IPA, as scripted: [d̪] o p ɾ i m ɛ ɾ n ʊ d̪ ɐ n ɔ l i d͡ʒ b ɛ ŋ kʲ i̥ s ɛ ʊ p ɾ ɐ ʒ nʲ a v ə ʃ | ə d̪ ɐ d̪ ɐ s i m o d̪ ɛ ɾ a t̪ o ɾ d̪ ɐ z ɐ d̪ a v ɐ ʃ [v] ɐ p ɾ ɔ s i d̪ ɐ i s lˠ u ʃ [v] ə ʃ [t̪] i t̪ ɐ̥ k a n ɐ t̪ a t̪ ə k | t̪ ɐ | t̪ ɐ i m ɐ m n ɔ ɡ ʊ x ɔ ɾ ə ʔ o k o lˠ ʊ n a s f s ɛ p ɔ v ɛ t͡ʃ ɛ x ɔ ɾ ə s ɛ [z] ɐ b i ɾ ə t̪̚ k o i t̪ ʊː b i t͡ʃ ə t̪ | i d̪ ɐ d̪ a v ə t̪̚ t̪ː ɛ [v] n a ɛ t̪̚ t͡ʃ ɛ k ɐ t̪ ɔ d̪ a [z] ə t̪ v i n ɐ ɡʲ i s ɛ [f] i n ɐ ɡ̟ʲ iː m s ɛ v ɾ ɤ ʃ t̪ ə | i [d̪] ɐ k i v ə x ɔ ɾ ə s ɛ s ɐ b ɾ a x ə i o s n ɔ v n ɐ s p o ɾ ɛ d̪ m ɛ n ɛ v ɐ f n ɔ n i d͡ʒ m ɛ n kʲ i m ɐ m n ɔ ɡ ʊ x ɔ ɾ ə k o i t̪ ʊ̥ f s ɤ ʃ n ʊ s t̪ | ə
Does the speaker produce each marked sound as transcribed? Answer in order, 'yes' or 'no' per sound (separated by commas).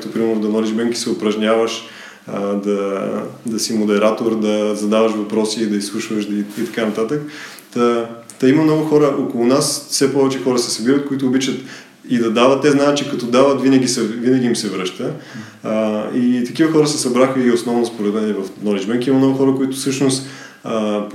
no, yes, yes, no, no, no, no, no, no